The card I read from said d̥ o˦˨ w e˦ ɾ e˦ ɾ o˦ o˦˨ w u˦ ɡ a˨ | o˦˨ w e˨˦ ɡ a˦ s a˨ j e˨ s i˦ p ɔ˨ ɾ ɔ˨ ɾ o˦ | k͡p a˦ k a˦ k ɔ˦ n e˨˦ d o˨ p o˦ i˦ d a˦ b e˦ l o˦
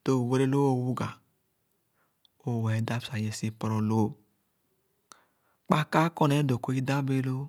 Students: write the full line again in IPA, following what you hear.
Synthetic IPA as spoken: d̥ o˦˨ w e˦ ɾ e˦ l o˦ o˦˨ w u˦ ɡ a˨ | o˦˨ w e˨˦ d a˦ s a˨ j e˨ s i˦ p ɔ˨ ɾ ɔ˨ l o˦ | k͡p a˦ k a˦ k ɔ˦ n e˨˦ d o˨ k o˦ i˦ d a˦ b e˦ l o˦